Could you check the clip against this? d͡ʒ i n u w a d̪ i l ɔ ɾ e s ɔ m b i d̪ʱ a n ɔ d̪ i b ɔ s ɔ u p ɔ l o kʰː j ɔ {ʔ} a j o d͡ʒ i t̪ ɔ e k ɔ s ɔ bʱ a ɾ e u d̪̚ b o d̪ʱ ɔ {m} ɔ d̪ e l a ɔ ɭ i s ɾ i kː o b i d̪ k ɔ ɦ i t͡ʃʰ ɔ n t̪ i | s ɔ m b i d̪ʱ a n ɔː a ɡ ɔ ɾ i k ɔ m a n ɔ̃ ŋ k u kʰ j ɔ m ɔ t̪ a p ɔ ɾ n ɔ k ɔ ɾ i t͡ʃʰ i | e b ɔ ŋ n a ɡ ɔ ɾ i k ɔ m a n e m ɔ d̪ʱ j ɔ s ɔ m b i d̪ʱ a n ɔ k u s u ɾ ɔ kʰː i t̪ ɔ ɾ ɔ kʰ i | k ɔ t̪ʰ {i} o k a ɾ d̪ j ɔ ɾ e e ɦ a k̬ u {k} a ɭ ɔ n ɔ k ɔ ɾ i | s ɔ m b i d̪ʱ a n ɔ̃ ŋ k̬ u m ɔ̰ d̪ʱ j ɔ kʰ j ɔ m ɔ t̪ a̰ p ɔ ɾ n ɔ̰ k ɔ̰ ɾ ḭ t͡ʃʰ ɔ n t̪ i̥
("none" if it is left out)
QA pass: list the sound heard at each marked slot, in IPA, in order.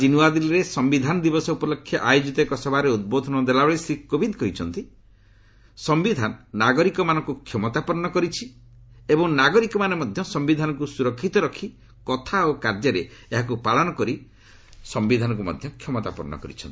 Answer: ʔ, n, a, p

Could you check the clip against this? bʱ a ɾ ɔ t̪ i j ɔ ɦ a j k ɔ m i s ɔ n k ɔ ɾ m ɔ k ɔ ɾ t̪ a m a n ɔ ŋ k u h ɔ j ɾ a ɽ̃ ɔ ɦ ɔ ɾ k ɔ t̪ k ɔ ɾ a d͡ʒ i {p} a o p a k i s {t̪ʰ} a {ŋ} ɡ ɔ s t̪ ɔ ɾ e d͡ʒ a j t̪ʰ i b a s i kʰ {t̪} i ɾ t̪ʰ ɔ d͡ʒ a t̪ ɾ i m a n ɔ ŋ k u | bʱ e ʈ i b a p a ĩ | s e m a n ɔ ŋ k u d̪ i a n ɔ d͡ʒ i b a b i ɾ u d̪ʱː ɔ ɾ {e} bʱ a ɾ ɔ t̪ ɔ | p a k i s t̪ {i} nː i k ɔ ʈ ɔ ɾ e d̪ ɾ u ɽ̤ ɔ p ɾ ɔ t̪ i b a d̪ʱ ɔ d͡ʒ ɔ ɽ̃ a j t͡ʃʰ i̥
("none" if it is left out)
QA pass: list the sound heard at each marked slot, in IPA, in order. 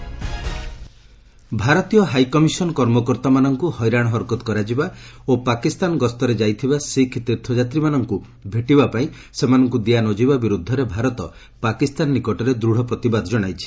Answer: b, t̪, n, t̪, e, a

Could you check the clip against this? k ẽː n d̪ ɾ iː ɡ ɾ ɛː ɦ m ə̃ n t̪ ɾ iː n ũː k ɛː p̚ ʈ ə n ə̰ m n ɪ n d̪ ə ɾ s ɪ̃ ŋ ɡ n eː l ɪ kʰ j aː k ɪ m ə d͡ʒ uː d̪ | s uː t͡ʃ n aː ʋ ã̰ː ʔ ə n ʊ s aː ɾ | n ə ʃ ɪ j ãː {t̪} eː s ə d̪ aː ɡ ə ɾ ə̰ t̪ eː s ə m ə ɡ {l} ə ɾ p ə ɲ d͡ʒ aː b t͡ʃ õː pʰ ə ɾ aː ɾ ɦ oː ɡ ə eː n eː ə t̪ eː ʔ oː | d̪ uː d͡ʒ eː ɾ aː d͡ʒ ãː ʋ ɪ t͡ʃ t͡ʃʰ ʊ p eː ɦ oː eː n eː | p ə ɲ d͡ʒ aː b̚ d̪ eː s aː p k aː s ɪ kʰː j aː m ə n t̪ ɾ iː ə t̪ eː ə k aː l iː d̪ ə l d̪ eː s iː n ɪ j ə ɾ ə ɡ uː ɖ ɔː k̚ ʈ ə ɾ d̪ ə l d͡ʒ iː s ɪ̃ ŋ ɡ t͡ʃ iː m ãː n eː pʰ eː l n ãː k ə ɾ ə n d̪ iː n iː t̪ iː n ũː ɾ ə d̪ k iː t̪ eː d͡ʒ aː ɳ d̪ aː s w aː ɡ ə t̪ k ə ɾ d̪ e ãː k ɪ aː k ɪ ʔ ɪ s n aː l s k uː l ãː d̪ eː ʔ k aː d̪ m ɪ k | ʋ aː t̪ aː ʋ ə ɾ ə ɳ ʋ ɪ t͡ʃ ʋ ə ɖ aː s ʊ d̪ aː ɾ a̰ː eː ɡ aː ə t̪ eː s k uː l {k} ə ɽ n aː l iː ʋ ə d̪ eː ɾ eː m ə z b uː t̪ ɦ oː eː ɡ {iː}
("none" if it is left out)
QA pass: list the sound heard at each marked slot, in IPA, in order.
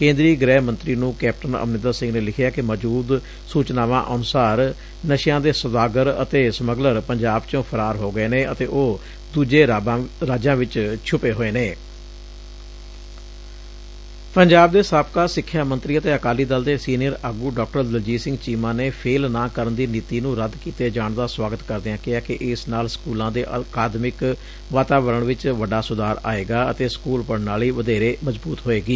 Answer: d̪, l, p, iː

